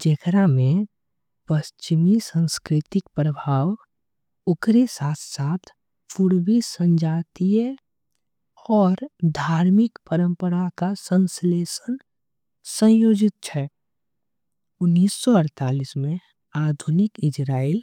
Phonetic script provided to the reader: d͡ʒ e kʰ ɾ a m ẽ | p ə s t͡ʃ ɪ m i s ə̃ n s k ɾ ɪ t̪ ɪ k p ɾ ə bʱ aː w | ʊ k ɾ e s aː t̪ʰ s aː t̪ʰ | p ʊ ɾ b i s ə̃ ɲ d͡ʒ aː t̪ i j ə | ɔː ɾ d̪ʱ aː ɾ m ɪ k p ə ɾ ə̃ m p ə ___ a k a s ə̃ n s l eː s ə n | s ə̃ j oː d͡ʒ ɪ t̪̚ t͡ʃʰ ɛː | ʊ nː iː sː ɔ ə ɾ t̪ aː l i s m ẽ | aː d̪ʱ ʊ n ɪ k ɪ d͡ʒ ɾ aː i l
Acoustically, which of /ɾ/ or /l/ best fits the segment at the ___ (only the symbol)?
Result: ɾ